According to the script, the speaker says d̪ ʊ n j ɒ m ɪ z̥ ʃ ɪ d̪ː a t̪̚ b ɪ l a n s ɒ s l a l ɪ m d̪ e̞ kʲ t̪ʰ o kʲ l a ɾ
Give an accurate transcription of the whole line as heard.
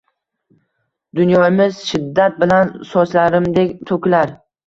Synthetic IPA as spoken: d̪ ʊ n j ɒ m ɪ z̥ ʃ ɪ d̪ː a t̪̚ b ɪ l a n s ɒ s l a ɾ ɪ m d̪ e̞ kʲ t̪ʰ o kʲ l a ɾ

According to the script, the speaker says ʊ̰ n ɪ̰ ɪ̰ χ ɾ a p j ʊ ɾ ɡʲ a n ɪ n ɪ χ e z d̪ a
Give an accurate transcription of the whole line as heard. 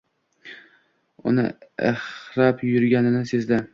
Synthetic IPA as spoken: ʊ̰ n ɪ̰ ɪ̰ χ ɾ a p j ʊ ɾ ɡʲ a n ɪ n ɪ s e z d̪ a

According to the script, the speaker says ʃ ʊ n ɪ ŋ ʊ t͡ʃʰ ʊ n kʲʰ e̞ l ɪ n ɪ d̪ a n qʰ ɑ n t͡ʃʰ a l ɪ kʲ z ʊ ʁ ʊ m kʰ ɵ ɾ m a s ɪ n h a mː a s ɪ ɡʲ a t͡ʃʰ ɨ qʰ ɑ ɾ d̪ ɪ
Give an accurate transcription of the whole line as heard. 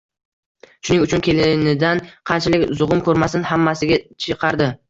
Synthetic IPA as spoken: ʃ ʊ n ɪ ŋ ʊ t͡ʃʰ ʊ n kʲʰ e̞ l ɪ n ɪ d̪ a n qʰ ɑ n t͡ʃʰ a l ɪ kʲ z ʊ ʁ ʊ m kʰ ɵ ɾ m a s ɪ n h a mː a s ɪ ɡʲ a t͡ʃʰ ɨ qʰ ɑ ɾ d̪ ɪ

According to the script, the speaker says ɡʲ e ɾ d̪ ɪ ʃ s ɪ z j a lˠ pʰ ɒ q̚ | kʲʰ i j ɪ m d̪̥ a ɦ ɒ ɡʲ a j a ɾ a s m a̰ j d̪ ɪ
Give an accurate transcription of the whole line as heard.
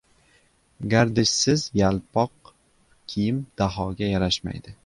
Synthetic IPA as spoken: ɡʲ a ɾ d̪ ɪ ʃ s ɪ z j a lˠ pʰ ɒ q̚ | kʲʰ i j ɪ m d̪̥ a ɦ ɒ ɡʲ a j a ɾ a ʃ m a̰ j d̪ ɪ

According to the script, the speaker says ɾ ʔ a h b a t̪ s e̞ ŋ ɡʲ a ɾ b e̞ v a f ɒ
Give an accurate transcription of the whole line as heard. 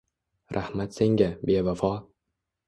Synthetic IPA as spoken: ɾ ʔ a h m a t̪ s e̞ ŋ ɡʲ a b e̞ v a f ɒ

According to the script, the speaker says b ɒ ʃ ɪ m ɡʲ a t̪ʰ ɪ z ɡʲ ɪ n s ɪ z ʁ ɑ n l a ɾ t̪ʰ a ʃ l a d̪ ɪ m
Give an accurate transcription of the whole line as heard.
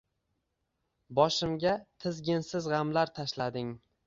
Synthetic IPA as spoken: b ɒ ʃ ɪ m ɡʲ a t̪ʰ ɪ z ɡʲ ɪ n s ɪ z ʁ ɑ m l a ɾ t̪ʰ a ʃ l a d̪ ɪ ŋ

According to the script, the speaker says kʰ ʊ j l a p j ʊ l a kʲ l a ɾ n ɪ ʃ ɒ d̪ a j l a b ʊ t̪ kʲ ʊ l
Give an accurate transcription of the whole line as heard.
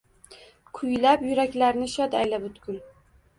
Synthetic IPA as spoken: kʰ ʊ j l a p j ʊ ɾ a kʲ l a ɾ n ɪ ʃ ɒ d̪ a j l a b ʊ t̪ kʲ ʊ l

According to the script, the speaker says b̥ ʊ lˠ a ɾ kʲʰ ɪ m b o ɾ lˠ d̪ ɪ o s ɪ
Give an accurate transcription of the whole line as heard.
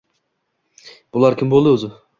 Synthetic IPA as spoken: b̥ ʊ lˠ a ɾ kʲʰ ɪ m b o lˠ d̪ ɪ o z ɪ

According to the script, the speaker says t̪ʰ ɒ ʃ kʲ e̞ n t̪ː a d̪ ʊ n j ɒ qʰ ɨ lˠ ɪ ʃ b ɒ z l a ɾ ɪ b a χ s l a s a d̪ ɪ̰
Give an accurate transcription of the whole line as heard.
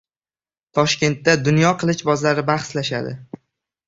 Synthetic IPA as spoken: t̪ʰ ɒ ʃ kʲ e̞ n t̪ː a d̪ ʊ n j ɒ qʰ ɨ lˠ ɪ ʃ b ɒ z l a ɾ ɪ b a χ s l a ʃ a d̪ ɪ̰

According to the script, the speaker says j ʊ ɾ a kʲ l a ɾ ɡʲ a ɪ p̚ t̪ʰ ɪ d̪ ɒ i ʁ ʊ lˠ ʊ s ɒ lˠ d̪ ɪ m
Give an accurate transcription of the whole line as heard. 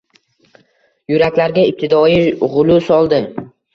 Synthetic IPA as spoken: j ʊ ɾ a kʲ l a ɾ ɡʲ a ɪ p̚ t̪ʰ ɪ d̪ ɒ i ʁ ʊ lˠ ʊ s ɒ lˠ d̪ ɪ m

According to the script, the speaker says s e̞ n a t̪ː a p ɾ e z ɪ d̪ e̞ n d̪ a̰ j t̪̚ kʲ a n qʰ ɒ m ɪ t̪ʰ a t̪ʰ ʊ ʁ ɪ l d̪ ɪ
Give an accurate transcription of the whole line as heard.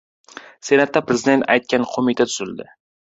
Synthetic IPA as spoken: s e̞ n a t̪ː a p ɾ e z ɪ d̪ e̞ n t̪ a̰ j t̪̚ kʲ a n qʰ o m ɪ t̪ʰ a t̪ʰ ʊ z ɪ l d̪ ɪ

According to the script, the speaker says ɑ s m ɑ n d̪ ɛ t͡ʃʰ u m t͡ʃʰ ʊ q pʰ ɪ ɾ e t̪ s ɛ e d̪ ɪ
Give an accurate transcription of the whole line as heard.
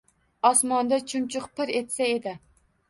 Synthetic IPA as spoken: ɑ s m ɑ n d̪ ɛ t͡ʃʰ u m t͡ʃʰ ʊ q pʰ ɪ ɾ e t̪ s ɛ e d̪ ɪ

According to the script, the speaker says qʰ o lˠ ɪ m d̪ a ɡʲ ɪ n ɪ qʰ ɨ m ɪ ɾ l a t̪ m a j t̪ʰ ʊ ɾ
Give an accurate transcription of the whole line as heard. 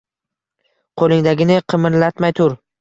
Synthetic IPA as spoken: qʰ o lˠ ɪ ŋ d̪ a ɡʲ ɪ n ɪ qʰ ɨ m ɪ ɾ l a t̪ m a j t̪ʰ ʊ ɾ

